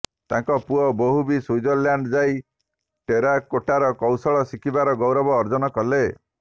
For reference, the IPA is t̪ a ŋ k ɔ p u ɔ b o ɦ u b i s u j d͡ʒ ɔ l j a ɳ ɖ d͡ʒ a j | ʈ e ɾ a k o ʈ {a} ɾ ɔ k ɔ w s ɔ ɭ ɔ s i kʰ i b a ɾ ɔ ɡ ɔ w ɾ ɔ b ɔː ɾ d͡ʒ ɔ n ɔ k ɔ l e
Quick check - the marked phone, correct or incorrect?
correct